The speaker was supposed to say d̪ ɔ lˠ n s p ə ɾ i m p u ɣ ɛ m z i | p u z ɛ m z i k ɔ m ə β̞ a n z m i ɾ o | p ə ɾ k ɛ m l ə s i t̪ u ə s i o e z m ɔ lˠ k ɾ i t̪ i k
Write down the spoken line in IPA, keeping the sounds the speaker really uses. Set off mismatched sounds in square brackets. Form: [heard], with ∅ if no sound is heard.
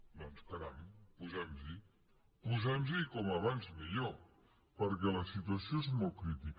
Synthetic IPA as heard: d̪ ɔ [∅] n s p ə ɾ [a] m p u [z] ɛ m z i | p u z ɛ m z i k ɔ m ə β̞ a n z m i [ʎ] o | p ə ɾ k ɛ [∅] l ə s i t̪ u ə s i o e z m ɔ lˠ k ɾ i t̪ i k